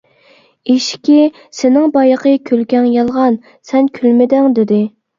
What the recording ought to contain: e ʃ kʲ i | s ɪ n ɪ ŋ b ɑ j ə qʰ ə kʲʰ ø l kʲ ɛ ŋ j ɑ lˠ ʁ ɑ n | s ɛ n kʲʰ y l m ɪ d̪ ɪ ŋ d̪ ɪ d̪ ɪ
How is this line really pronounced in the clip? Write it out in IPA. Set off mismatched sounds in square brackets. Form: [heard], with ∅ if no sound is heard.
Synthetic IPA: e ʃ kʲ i | s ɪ n ɪ ŋ b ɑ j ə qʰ ə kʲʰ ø l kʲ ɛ ŋ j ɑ lˠ ʁ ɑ n | s ɛ n kʲʰ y l m ɪ d̪ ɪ ŋ d̪ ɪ d̪ ɪ